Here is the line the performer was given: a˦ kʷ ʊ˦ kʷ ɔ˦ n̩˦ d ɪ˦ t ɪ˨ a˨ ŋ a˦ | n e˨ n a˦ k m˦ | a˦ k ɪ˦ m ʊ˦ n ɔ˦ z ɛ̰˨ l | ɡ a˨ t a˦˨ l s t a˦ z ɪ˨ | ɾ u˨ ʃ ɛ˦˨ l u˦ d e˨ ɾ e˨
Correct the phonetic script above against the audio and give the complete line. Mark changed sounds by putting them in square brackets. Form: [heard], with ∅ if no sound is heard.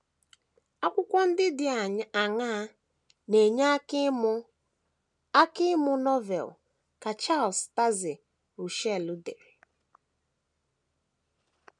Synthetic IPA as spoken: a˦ kʷ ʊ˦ kʷ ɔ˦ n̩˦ d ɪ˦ [d] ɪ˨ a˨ ŋ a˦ | n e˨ [ɲ] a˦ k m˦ | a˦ k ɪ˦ m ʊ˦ n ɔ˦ [v] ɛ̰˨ l | [k] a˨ [t͡ʃ] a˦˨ l s t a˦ z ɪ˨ | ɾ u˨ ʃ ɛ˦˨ l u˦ d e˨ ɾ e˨